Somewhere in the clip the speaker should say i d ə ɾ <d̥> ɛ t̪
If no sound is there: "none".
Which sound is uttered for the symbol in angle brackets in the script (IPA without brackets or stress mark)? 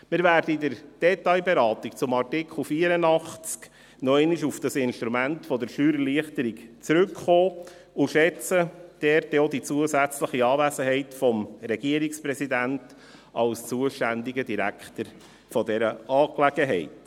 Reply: d̥